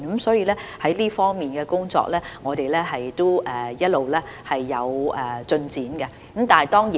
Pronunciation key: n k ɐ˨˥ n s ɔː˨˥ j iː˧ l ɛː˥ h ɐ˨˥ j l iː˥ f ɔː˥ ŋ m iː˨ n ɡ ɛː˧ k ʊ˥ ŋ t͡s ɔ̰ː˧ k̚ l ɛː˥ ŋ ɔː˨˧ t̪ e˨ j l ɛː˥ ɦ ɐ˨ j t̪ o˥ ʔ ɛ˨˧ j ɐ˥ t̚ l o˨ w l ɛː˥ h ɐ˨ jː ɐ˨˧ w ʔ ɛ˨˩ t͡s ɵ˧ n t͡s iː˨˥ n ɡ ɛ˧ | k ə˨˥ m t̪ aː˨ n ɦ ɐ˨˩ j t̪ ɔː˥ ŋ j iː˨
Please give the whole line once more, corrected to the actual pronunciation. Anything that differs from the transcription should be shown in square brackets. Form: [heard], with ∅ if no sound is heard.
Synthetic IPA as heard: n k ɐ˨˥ [m] s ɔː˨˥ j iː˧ l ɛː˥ h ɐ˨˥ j l iː˥ f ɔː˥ ŋ m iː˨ n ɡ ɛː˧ k ʊ˥ ŋ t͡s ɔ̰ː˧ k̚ l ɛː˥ ŋ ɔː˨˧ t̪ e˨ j l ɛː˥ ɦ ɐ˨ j t̪ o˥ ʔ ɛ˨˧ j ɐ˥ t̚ l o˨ w l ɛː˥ h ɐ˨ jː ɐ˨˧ w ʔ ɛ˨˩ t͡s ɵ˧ n t͡s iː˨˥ n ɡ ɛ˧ | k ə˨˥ m t̪ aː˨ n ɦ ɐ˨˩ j t̪ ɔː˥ ŋ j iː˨